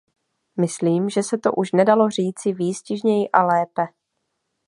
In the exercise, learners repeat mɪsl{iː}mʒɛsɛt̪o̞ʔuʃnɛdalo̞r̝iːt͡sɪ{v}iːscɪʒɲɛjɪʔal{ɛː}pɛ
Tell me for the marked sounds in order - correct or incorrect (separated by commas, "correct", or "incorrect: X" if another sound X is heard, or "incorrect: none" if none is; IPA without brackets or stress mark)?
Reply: correct, correct, correct